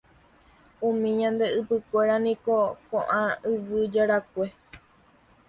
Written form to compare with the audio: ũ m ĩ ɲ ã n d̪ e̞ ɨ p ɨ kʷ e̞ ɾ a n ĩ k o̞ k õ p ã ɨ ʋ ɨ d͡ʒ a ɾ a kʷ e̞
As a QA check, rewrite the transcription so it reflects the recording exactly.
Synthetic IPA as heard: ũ m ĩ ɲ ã n d̪ e̞ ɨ p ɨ kʷ e̞ ɾ a n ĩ k o̞ k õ ʔ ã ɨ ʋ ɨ d͡ʒ a ɾ a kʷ e̞